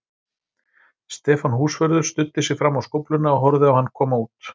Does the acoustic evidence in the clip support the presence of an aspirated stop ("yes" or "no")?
yes